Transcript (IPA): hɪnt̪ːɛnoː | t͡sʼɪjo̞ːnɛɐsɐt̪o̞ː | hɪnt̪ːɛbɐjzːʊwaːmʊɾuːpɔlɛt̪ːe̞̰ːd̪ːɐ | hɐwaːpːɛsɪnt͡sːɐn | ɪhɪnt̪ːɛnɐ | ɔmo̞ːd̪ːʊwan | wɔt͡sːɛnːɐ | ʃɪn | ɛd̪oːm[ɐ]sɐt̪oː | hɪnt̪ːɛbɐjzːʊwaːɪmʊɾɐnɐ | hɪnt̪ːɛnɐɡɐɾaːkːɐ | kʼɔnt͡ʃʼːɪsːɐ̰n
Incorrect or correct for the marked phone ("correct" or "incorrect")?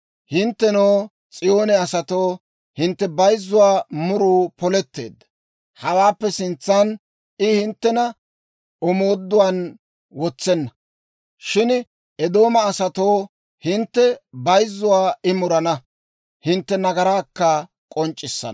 incorrect